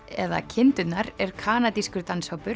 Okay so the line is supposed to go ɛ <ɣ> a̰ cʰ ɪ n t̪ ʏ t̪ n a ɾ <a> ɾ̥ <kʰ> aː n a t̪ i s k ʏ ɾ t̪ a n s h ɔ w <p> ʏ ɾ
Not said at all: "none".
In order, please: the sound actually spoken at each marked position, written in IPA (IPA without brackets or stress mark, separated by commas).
ð, ɛ, kʰ, p